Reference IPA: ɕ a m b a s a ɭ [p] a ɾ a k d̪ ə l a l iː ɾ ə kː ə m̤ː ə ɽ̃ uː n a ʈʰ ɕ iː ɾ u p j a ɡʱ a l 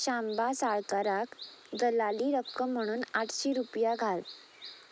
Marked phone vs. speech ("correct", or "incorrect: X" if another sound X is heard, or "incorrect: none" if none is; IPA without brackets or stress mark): incorrect: k